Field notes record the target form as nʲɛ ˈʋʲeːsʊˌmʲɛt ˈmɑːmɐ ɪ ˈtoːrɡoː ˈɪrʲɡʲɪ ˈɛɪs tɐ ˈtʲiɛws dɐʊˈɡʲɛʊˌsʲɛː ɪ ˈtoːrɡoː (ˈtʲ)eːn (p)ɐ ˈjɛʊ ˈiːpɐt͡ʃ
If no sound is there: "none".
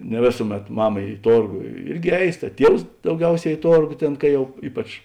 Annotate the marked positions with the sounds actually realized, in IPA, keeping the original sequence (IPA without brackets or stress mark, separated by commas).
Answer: tʲ, k